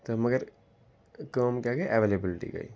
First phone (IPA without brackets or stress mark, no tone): t̪